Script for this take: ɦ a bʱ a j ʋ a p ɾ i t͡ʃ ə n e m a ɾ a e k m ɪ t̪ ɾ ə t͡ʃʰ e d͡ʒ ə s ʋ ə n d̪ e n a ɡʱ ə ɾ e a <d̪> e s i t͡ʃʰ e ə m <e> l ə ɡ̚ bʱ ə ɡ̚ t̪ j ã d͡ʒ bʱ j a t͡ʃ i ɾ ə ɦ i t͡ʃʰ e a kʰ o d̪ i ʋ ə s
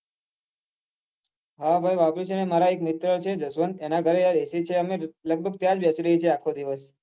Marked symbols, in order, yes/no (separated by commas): yes, yes